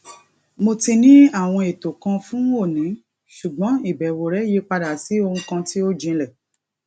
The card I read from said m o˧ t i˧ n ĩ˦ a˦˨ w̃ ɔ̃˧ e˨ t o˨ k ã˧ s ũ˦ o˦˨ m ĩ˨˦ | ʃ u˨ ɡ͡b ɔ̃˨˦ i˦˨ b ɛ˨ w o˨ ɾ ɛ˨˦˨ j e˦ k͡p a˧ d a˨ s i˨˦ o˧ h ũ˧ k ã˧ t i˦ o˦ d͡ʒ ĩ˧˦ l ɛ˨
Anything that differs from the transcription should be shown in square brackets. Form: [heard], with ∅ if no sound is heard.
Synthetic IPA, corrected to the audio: m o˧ t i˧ n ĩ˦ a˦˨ w̃ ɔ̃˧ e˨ t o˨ k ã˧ [f] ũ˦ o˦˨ [n] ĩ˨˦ | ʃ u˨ ɡ͡b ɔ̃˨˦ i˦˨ b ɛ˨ w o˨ ɾ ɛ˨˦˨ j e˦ k͡p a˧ d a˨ s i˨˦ o˧ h ũ˧ k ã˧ t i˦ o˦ d͡ʒ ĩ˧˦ l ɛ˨

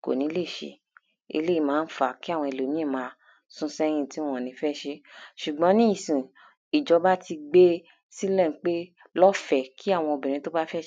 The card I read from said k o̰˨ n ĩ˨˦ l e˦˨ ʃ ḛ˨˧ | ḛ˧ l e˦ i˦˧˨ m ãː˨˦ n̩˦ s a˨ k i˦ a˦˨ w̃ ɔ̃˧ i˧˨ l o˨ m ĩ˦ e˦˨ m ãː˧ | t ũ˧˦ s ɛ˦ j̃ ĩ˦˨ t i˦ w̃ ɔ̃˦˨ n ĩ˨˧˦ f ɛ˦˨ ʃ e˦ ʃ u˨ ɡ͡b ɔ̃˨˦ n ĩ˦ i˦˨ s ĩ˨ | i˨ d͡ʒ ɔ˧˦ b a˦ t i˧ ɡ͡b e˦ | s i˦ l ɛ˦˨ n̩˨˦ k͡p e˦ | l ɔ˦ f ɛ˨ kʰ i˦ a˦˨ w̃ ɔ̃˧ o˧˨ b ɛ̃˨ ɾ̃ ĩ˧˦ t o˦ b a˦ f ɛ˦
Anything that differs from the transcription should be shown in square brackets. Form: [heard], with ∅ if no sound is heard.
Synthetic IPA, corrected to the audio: k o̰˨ n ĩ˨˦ l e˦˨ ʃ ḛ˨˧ | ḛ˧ l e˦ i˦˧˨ m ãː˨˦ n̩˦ [f] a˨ k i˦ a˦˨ w̃ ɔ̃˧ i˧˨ l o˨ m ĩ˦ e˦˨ m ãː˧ | [s] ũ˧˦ s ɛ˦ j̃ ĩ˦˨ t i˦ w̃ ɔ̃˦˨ n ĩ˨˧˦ f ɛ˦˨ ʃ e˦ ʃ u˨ ɡ͡b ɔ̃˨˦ n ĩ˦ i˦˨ s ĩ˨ | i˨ d͡ʒ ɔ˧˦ b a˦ t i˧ ɡ͡b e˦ | s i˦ l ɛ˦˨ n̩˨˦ k͡p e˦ | l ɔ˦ f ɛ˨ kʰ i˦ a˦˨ w̃ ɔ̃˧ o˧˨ b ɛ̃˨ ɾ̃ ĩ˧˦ t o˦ b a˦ f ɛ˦

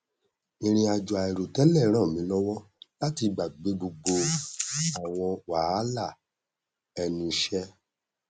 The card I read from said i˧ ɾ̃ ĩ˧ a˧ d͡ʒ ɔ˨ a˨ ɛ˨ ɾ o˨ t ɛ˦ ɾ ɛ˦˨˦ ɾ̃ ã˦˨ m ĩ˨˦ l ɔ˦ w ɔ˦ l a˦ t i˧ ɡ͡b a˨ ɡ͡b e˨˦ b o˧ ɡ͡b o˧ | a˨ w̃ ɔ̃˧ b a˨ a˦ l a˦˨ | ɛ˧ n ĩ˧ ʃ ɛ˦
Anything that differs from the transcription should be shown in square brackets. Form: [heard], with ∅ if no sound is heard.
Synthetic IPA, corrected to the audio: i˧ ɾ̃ ĩ˧ a˧ d͡ʒ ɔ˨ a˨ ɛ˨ ɾ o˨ t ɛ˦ [l] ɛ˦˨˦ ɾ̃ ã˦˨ m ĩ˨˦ l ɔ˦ w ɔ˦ l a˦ t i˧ ɡ͡b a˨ ɡ͡b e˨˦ b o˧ ɡ͡b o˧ | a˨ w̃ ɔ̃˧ [w] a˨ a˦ l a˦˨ | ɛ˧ n ĩ˧ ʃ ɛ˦

